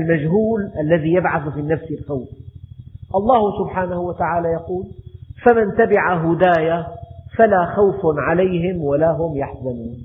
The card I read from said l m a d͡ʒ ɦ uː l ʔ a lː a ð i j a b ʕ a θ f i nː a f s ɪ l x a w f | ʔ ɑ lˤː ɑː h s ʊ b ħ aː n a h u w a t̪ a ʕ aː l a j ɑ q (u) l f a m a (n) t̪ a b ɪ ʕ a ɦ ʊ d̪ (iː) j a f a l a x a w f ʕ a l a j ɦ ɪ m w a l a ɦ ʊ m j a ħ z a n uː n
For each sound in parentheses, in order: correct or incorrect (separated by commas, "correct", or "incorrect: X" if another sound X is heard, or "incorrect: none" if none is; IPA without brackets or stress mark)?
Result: incorrect: uː, correct, incorrect: aː